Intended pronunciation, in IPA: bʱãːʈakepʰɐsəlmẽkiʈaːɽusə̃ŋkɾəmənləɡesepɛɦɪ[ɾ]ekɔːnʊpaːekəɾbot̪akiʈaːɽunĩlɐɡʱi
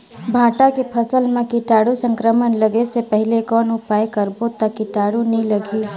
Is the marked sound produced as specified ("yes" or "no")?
no